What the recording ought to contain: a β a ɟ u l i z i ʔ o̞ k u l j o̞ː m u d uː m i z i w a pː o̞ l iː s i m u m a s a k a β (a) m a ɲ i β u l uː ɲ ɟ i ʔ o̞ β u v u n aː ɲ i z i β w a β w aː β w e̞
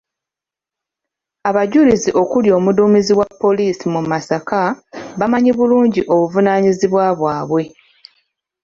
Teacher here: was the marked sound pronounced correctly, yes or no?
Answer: yes